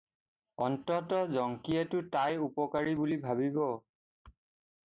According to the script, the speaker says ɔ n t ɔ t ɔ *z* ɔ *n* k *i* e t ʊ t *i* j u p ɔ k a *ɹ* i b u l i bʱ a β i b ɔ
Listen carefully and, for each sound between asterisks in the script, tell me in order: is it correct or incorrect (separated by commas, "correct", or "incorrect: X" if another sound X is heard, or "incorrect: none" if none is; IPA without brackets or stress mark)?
correct, incorrect: ŋ, correct, incorrect: a, correct